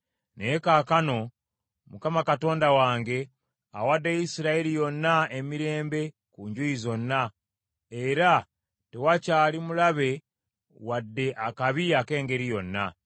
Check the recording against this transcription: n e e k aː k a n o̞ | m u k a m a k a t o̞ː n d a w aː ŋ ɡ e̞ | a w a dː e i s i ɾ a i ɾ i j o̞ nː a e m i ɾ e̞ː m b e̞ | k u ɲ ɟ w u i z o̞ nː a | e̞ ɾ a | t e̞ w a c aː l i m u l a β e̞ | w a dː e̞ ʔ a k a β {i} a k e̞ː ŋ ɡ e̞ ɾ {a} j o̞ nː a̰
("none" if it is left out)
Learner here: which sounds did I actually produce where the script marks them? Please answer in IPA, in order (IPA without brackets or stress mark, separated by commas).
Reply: i, i